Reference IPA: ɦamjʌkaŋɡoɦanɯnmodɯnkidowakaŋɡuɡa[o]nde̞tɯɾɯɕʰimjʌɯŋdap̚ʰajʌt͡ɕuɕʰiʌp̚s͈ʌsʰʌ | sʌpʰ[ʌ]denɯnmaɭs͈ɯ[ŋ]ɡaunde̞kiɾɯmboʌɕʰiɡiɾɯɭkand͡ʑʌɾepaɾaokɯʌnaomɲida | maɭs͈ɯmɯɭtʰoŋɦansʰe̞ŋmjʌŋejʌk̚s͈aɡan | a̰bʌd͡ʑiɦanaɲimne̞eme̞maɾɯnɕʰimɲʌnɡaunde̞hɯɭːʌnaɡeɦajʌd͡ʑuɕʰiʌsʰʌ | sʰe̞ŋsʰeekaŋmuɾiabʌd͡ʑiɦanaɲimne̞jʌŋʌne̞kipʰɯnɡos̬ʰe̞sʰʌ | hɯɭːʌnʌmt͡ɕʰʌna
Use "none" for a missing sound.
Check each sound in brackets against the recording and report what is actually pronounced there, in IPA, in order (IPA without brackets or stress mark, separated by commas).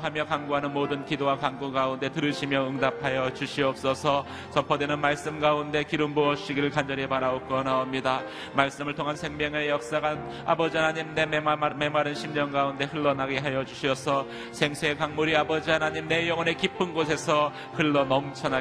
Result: u, ʌ, m